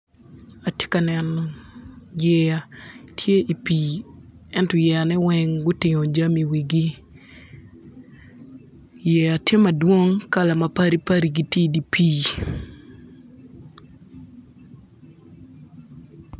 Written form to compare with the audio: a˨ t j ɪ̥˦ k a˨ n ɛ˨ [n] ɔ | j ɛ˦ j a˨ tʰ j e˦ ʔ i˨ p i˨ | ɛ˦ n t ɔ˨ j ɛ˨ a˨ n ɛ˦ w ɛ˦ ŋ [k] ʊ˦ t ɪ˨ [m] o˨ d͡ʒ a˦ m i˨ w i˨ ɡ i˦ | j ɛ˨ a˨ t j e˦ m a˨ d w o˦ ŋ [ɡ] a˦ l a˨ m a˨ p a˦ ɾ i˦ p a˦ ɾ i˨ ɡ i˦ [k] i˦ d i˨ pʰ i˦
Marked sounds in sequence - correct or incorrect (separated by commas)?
correct, incorrect, incorrect, incorrect, incorrect